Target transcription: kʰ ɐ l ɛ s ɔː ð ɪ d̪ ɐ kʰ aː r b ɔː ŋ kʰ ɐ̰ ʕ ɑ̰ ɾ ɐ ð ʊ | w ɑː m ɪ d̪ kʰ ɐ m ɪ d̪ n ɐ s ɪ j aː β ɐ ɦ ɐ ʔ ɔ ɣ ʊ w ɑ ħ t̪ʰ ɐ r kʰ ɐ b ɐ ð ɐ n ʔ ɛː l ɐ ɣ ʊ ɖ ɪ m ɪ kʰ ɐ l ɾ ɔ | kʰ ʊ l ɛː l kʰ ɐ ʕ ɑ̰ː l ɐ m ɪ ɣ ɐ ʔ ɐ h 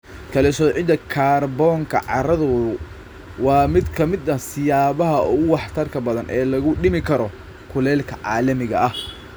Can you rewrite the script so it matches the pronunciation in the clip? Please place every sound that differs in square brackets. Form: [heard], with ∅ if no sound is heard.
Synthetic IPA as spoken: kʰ ɐ l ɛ s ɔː [ʕ] ɪ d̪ ɐ kʰ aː r b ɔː ŋ kʰ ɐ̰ ʕ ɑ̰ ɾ ɐ ð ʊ | w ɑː m ɪ d̪ kʰ ɐ m ɪ d̪ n ɐ s ɪ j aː β ɐ ɦ ɐ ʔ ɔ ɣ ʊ w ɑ ħ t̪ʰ ɐ r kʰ ɐ b ɐ ð ɐ n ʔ ɛː l ɐ ɣ ʊ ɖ ɪ m ɪ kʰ ɐ [∅] ɾ ɔ | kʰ ʊ l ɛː l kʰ ɐ ʕ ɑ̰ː l ɐ m ɪ ɣ ɐ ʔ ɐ h